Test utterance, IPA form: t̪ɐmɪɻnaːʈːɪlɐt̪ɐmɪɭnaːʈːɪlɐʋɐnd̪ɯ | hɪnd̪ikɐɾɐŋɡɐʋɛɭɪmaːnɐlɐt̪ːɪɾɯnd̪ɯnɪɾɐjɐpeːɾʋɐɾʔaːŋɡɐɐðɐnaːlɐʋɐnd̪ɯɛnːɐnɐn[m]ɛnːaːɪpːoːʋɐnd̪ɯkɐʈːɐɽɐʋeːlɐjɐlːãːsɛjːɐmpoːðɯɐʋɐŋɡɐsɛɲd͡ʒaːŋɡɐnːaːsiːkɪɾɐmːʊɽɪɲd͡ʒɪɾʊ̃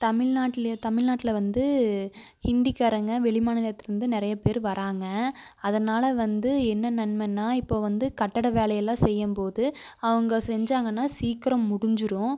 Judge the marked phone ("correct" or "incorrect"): correct